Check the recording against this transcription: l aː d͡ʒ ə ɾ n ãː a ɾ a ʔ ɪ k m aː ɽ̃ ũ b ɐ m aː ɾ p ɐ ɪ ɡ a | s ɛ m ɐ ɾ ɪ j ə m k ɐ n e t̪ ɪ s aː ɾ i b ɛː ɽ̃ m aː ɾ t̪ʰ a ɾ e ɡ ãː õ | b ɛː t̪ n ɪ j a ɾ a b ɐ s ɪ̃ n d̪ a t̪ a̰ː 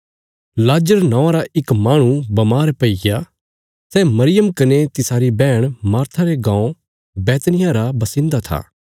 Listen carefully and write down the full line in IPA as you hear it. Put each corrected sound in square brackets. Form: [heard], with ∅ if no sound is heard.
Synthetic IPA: l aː d͡ʒ ə ɾ n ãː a ɾ a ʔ ɪ k m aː ɽ̃ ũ b ɐ m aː ɾ p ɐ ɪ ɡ a | s ɛ m ɐ ɾ ɪ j ə m k ɐ n e t̪ ɪ s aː ɾ i b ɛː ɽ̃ m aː ɾ t̪ʰ a ɾ e ɡ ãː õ | b ɛː t̪ n ɪ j a ɾ a b ɐ s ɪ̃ n d̪ a [t̪ʰ] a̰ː

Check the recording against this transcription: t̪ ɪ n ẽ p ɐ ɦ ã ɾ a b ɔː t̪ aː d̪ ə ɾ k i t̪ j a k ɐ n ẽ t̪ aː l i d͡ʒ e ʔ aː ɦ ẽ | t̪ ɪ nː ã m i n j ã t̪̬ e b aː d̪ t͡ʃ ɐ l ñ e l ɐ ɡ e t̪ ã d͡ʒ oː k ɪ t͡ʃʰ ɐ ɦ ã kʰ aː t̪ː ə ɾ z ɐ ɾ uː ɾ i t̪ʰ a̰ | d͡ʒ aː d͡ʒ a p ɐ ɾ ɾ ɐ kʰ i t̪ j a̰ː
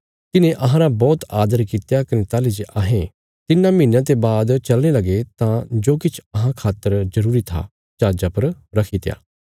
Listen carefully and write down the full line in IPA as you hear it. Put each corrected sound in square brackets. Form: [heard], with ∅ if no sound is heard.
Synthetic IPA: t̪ ɪ n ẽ [ʔ] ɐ ɦ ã ɾ a b ɔː t̪ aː d̪ ə ɾ k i t̪ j a k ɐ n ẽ t̪ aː l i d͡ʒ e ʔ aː ɦ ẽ | t̪ ɪ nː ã m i n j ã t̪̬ e b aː d̪ t͡ʃ ɐ l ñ e l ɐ ɡ e t̪ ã d͡ʒ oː k ɪ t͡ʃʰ ɐ ɦ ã kʰ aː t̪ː ə ɾ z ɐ ɾ uː ɾ i t̪ʰ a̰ | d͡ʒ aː d͡ʒ a p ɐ ɾ ɾ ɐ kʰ i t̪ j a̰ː

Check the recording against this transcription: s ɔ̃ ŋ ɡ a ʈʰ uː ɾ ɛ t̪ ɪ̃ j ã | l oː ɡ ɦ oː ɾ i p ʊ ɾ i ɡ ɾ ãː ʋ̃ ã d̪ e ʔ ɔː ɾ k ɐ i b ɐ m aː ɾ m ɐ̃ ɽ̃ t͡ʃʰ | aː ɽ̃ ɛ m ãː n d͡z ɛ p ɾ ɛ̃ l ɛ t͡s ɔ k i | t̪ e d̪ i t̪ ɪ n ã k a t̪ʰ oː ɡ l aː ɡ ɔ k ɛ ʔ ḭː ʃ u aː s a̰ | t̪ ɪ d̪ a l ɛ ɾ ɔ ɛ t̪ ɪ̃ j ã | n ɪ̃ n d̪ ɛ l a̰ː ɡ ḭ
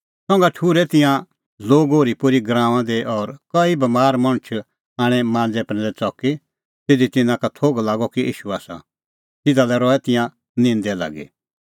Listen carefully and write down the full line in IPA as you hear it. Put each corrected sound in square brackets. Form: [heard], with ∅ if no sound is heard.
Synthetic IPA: s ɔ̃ ŋ ɡ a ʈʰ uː ɾ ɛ t̪ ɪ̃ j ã | l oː ɡ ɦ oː ɾ i p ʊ ɾ i ɡ ɾ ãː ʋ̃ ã d̪ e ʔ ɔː ɾ k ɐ i b ɐ m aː ɾ m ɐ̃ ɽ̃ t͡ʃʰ | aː ɽ̃ ɛ m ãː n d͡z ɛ p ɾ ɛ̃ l ɛ t͡s ɔ k i | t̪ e d̪ i t̪ ɪ n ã k a t̪ʰ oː ɡ l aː ɡ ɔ k [i] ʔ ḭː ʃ u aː s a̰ | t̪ ɪ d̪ a l ɛ ɾ ɔ ɛ t̪ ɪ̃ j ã | n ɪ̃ n d̪ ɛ l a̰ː ɡ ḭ

